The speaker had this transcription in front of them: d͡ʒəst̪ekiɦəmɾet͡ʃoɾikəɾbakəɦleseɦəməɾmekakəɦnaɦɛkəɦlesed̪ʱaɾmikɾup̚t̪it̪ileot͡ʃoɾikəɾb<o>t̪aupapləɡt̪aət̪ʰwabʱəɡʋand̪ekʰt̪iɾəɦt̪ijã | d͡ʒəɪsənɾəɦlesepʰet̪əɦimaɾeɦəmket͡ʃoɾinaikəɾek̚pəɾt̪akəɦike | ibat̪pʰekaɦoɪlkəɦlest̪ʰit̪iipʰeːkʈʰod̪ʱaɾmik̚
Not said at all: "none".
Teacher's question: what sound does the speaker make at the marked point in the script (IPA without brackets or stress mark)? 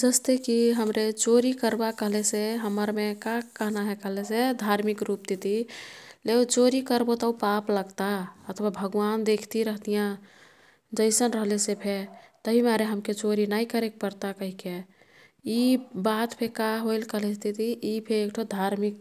o